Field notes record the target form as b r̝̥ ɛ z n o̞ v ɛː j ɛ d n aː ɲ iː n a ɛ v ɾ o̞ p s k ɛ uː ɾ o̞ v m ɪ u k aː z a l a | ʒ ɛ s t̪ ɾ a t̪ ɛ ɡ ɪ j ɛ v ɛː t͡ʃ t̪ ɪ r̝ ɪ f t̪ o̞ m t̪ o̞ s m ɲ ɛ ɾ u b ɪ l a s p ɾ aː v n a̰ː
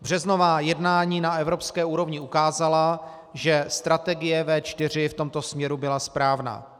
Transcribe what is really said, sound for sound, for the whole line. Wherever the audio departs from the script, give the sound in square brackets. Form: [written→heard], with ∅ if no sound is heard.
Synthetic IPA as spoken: b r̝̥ ɛ z n o̞ v [ɛː→aː] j ɛ d n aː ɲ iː n a ɛ v ɾ o̞ p s k [ɛ→ɛː] uː ɾ o̞ v [m→ɲ] ɪ u k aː z a l a | ʒ ɛ s t̪ ɾ a t̪ ɛ ɡ ɪ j ɛ v ɛː t͡ʃ t̪ ɪ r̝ ɪ f t̪ o̞ m t̪ o̞ s m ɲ ɛ ɾ u b ɪ l a s p ɾ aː v n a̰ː

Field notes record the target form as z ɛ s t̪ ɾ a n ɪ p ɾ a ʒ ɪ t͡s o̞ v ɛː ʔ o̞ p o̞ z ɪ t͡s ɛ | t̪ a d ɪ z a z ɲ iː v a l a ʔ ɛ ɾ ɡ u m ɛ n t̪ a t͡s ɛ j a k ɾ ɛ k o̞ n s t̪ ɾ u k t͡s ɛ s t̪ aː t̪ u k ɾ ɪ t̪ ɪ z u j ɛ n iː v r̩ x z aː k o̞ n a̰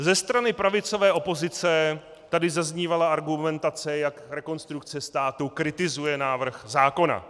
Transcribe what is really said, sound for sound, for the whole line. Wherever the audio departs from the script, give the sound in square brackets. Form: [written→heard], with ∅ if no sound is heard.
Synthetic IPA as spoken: z ɛ s t̪ ɾ a n ɪ p ɾ a [ʒ→v] ɪ t͡s o̞ v ɛː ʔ o̞ p o̞ z ɪ t͡s ɛ | t̪ a d ɪ z a z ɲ iː v a l a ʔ [ɛ→a] ɾ ɡ u m ɛ n t̪ a t͡s ɛ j a k ɾ ɛ k o̞ n s t̪ ɾ u k t͡s ɛ s t̪ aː t̪ u k ɾ ɪ t̪ ɪ z u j ɛ n [iː→aː] v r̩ x z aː k o̞ n a̰

